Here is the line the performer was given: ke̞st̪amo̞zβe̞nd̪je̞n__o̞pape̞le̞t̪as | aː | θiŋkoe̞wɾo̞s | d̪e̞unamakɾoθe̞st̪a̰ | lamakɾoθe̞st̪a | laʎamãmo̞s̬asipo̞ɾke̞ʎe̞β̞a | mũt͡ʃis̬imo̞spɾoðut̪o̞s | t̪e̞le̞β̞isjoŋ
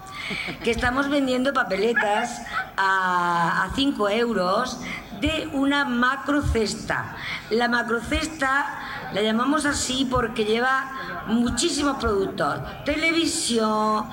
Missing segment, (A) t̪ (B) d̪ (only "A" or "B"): B